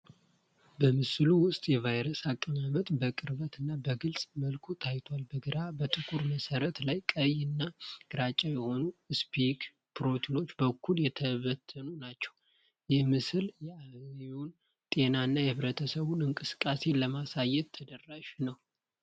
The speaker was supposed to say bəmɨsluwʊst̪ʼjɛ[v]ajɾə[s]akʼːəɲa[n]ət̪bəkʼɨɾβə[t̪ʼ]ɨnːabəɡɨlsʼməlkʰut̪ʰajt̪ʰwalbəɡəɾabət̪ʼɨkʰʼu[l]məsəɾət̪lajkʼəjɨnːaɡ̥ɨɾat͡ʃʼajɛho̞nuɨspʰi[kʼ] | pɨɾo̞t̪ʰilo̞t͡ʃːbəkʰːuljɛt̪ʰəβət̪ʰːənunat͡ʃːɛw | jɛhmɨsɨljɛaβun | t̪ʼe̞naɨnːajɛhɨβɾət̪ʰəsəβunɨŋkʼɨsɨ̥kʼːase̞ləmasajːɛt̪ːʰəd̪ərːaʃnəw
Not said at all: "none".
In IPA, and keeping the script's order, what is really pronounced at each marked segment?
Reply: v, s, m, t̪, ɾ, k

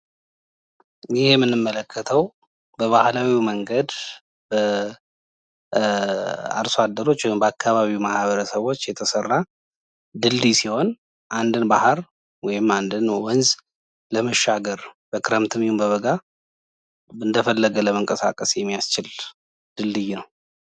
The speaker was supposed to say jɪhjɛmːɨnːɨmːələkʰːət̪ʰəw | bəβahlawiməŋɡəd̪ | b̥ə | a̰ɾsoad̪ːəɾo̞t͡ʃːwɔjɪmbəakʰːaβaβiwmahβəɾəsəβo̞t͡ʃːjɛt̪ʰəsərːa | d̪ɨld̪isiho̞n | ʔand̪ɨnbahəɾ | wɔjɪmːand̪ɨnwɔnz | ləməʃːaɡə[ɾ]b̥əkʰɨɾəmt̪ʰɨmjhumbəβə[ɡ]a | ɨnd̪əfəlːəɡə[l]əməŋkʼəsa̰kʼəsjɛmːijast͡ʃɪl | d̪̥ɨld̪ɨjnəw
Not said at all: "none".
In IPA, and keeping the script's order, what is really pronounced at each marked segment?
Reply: ɾ, ɡ, l

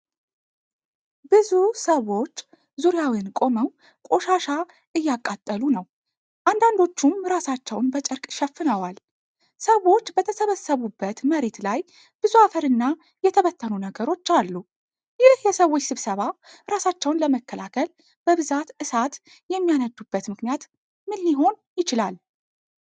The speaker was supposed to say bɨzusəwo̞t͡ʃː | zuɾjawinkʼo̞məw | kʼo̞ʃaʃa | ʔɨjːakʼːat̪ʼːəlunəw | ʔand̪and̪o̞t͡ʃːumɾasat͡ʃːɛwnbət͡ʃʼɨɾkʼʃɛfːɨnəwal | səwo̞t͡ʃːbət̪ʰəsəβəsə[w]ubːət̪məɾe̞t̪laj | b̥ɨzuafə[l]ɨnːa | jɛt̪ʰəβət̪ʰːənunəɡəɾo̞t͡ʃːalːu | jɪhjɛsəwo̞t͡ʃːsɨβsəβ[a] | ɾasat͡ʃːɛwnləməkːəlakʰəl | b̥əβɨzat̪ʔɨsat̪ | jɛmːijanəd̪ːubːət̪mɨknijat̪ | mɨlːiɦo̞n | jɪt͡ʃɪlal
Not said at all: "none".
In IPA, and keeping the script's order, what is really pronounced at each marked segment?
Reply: β, ɾ, a

